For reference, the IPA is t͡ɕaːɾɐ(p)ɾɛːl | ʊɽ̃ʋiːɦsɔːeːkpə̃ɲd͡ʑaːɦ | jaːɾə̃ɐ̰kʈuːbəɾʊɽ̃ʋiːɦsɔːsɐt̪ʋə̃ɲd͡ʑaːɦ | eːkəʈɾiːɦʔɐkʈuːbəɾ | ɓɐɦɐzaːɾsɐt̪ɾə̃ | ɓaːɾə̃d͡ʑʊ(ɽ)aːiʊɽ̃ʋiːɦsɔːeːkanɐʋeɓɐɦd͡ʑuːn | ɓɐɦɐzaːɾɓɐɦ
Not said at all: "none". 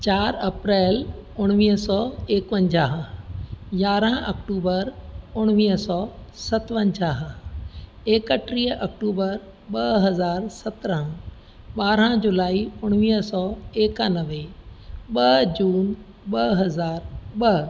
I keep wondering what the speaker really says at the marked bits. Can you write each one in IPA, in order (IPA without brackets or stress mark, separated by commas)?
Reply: p, l